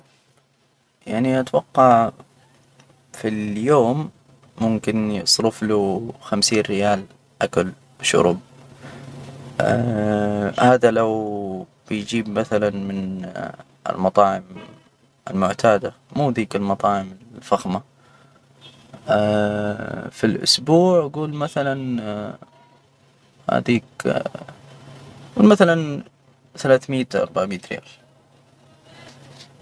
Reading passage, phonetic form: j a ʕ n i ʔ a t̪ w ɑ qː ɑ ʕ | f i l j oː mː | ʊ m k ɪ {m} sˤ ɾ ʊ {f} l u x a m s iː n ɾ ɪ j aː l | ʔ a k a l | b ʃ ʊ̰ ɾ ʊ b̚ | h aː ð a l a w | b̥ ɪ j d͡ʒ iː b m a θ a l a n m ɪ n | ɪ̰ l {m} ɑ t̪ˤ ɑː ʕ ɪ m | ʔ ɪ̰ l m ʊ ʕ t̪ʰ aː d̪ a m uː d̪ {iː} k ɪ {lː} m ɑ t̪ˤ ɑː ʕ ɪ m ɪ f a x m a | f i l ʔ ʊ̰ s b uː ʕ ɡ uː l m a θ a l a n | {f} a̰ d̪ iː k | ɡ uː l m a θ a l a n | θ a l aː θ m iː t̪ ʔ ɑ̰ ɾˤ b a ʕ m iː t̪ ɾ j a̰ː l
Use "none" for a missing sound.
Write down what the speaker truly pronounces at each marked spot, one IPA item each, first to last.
n, f, m, iː, l, h

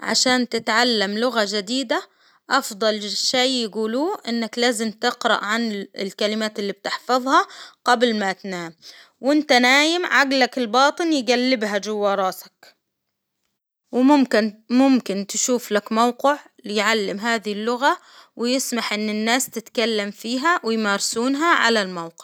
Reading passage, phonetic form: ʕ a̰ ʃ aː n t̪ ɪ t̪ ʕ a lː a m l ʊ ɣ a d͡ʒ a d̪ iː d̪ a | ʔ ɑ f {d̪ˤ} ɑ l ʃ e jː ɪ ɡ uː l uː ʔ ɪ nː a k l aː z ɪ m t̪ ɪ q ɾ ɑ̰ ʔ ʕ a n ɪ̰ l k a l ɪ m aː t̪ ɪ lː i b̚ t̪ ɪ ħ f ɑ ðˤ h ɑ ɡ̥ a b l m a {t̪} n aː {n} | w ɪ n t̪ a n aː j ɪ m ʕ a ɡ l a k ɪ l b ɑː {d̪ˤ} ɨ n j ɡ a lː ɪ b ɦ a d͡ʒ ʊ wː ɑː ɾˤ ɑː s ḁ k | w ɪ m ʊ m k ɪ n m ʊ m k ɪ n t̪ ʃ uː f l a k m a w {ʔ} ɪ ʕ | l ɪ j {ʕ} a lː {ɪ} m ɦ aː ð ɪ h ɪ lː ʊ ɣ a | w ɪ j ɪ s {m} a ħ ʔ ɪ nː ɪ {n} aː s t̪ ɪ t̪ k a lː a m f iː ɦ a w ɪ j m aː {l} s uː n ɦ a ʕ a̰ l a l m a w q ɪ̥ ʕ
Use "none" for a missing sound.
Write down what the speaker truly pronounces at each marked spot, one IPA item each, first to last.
d̪ˤ, t̪, m, t̪ˤ, q, ʕ, ɪ, m, nː, ɾ

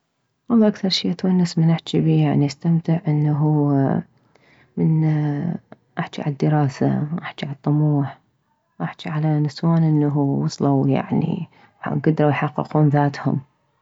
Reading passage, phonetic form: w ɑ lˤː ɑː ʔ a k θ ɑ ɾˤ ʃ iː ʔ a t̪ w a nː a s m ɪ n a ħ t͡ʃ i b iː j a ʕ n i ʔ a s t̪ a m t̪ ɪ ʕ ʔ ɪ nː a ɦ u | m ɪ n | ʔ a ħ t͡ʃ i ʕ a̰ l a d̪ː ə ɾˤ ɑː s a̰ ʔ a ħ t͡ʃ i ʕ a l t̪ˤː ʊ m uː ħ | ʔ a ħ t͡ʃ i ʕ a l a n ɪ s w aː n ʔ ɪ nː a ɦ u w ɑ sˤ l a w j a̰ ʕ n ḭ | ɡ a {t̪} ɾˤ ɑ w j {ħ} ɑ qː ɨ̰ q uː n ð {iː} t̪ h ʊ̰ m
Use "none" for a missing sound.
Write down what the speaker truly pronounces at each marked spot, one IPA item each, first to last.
d̪, ħ, aː

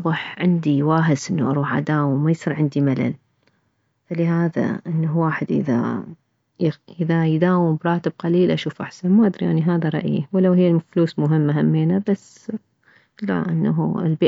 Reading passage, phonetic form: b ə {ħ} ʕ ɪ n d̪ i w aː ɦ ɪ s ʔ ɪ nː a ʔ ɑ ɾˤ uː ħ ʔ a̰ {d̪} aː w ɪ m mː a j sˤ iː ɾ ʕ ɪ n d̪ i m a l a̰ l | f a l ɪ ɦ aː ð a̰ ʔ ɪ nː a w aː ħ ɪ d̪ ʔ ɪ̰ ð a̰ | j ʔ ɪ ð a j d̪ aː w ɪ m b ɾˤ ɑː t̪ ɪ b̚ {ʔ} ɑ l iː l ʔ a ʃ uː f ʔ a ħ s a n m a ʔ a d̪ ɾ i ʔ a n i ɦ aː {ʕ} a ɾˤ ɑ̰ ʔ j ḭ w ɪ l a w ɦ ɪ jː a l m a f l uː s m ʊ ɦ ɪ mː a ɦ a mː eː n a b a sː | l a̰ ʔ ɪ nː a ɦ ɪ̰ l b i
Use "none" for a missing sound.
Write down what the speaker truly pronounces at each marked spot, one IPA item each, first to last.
ħ, d̪, q, ð

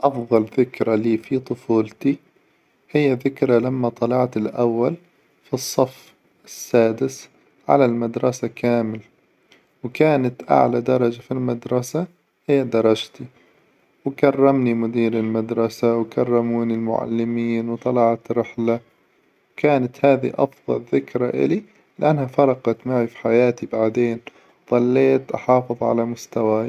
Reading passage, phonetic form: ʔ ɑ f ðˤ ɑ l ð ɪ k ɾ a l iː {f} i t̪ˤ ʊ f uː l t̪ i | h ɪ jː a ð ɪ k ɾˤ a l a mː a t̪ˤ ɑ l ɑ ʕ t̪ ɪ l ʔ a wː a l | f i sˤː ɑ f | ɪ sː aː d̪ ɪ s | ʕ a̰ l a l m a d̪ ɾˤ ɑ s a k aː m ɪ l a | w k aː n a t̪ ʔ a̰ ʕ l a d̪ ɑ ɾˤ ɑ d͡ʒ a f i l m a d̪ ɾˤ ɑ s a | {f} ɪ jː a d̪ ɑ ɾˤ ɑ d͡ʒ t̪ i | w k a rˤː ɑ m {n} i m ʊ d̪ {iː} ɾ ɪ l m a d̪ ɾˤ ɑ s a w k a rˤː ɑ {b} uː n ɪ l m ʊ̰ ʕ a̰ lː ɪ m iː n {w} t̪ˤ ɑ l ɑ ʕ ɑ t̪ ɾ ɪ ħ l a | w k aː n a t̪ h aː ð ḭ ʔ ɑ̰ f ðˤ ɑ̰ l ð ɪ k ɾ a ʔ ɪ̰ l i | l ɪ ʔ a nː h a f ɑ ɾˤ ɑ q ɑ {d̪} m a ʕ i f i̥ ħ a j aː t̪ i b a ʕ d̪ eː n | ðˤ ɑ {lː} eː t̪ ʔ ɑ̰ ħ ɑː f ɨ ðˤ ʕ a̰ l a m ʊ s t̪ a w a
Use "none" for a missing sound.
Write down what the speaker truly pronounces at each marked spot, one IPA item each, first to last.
f, h, n, iː, m, w, t̪, lː

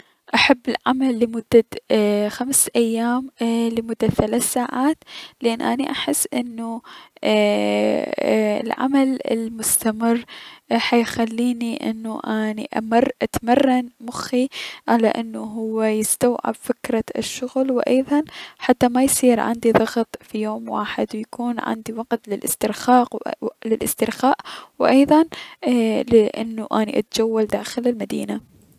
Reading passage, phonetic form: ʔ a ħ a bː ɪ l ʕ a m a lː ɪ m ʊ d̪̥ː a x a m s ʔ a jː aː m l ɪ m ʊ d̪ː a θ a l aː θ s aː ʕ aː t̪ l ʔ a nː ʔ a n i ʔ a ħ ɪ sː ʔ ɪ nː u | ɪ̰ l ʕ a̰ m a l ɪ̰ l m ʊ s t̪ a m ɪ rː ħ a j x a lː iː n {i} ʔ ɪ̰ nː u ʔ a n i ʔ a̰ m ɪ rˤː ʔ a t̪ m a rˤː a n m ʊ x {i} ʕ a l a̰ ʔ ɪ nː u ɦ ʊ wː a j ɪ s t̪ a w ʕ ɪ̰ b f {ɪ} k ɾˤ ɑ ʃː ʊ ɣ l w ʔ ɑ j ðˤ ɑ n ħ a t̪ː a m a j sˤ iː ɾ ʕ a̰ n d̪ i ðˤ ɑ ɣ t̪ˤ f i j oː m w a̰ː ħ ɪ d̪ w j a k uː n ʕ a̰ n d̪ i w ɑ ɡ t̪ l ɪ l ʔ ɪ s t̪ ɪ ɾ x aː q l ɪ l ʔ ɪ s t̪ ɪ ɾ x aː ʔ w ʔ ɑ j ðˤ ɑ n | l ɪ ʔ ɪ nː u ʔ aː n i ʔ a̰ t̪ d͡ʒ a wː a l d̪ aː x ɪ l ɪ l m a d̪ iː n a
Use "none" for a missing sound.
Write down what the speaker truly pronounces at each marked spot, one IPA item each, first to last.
i, i, ɪ

